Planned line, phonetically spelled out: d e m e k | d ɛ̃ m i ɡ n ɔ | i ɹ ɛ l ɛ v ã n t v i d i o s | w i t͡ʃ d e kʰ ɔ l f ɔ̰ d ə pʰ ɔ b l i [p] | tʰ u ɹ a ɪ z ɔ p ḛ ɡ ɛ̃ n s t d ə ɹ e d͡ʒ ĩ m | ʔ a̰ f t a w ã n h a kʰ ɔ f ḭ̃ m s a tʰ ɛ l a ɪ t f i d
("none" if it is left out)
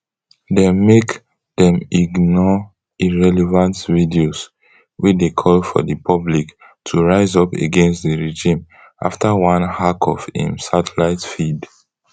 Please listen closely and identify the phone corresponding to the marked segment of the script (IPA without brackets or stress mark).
k